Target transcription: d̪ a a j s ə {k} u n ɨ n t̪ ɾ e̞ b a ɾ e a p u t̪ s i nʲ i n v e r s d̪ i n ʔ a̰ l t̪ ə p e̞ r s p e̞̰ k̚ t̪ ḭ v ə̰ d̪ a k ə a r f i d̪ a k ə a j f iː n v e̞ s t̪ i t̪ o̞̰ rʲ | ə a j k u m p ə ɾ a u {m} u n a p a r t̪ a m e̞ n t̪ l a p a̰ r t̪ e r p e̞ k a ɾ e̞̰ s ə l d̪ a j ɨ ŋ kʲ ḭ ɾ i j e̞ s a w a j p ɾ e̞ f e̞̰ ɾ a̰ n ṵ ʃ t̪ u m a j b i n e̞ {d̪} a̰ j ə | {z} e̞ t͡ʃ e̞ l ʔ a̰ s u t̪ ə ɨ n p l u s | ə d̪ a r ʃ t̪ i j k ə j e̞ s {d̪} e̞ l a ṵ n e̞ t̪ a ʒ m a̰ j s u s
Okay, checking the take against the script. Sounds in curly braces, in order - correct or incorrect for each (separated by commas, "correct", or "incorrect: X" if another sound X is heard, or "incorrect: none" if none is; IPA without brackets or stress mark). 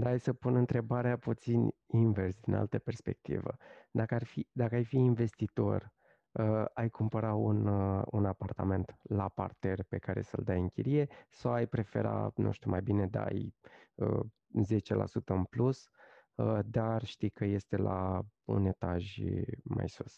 incorrect: p, incorrect: n, correct, correct, incorrect: t̪